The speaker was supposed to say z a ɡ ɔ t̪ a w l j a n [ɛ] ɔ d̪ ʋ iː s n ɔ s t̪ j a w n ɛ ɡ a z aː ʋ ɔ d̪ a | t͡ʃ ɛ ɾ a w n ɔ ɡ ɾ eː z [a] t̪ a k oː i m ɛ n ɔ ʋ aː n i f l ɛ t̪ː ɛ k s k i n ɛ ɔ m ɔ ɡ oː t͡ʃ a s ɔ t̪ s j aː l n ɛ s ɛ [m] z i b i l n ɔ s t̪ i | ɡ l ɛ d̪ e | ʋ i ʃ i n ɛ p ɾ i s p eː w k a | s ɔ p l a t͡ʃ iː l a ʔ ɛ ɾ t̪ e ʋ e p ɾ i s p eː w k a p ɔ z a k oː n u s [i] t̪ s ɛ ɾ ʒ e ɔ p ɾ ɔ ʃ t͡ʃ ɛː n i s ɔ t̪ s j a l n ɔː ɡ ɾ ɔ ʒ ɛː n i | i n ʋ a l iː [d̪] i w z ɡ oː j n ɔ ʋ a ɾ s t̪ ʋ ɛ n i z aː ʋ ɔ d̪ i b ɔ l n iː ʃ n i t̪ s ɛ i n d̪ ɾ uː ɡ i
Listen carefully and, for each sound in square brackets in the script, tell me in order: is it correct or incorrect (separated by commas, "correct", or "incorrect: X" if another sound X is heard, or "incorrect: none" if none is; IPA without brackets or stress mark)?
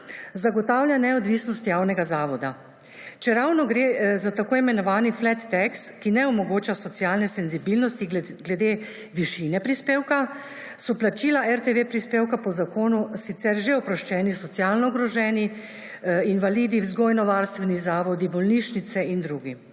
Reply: correct, correct, incorrect: n, correct, correct